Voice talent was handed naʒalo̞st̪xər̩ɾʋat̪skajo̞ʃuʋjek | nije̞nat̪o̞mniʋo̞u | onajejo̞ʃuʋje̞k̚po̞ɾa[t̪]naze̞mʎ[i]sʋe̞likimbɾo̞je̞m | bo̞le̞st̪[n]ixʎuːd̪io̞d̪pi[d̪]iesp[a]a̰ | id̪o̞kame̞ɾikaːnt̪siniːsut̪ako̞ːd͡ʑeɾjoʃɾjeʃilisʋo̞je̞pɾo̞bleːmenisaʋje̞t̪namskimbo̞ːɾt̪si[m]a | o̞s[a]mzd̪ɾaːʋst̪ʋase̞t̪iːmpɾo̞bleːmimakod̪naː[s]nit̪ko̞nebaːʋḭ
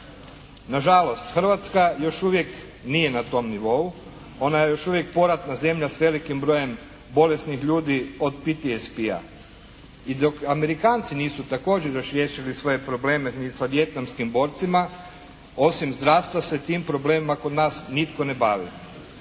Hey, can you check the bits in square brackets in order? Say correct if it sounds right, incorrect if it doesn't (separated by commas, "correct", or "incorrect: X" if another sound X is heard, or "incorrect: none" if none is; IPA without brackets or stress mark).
correct, incorrect: a, correct, incorrect: t̪, incorrect: i, correct, incorrect: i, correct